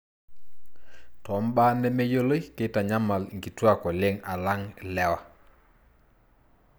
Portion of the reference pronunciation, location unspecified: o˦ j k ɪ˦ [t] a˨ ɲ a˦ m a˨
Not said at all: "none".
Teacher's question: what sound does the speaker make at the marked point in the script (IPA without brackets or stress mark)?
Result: t